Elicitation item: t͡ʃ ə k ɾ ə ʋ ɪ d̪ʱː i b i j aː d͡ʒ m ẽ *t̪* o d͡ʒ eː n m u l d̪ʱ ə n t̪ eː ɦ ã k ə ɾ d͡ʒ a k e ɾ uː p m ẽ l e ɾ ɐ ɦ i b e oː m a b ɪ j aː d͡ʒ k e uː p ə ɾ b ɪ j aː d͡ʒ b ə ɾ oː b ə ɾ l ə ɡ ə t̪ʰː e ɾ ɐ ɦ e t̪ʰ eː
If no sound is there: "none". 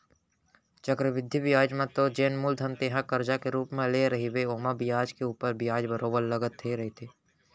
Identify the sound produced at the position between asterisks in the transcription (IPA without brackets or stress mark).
t̪